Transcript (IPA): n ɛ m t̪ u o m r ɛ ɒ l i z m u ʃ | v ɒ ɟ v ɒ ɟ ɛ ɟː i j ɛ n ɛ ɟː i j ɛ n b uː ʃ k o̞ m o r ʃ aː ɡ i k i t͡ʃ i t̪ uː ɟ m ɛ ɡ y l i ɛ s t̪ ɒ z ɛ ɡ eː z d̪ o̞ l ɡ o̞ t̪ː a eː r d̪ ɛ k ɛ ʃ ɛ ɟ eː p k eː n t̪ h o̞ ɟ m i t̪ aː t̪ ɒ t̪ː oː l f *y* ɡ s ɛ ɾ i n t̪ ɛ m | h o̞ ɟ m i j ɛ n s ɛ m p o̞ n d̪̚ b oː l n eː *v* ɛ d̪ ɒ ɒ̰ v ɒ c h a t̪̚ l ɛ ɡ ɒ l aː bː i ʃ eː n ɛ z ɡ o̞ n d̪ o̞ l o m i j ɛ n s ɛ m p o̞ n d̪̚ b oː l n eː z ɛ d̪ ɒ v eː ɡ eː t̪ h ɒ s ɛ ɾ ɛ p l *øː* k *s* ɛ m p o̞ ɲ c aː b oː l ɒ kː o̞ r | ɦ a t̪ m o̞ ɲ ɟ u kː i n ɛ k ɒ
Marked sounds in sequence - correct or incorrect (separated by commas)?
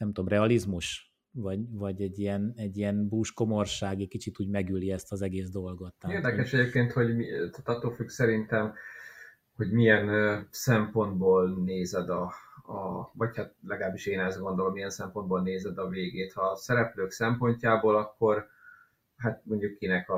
correct, incorrect, correct, correct